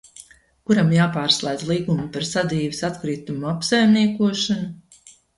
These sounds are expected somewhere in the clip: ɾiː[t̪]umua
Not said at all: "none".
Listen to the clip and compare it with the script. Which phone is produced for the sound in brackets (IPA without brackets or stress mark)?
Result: t̪